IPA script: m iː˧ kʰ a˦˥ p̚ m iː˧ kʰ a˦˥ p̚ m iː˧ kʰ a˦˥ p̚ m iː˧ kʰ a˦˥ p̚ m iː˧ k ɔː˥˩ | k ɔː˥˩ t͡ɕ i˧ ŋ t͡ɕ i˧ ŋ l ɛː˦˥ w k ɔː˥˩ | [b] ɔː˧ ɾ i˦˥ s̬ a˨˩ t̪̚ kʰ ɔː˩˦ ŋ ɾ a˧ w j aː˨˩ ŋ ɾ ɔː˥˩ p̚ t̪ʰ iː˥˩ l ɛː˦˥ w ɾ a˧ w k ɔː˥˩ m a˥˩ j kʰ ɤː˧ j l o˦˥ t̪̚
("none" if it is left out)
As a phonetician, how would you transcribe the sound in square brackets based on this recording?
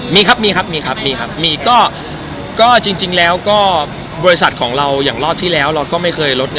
b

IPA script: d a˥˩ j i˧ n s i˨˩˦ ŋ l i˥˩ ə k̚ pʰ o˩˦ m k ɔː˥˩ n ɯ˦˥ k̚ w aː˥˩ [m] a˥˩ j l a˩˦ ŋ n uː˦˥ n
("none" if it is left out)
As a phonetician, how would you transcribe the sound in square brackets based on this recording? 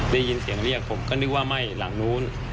m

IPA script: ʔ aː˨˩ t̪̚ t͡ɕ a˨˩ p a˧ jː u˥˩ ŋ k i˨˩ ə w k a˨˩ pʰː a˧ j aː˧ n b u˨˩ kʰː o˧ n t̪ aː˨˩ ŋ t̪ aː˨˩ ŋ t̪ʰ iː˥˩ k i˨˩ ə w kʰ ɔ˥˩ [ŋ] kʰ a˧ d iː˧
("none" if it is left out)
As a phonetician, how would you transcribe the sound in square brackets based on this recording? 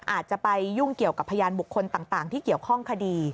ŋ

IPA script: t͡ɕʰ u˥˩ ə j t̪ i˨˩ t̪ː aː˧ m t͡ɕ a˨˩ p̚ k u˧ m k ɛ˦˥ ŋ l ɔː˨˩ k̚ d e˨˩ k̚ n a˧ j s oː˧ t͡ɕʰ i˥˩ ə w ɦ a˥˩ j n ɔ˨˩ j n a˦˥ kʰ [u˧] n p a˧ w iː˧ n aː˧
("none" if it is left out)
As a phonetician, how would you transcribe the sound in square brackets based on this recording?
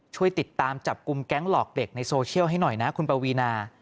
u˧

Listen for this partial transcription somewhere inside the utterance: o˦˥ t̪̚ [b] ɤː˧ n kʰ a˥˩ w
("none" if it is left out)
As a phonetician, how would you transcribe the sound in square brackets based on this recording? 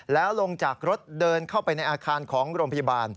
d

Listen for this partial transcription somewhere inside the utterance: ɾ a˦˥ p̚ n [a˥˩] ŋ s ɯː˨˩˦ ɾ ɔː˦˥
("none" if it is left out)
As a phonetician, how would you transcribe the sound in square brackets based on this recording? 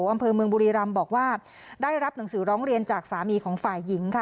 a˩˦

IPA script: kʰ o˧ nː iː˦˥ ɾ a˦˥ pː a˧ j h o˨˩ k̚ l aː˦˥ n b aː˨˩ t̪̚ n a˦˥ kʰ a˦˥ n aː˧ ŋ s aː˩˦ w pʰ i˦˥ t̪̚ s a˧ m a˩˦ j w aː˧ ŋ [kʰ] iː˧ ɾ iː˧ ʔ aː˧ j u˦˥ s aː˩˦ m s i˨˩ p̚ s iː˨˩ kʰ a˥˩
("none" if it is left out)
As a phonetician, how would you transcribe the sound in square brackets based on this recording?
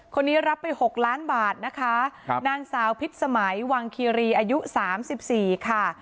kʰ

